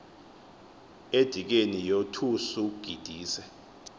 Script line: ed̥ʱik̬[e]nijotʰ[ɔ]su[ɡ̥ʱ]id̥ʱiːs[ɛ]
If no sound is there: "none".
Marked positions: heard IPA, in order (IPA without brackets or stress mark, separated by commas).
e, u, ɡ̥ʱ, ɛ